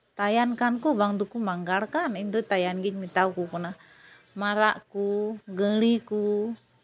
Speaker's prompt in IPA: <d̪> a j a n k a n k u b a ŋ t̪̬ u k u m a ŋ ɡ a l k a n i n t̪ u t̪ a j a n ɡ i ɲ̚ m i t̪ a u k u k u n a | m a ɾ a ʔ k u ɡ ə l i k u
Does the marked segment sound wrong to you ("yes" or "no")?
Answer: yes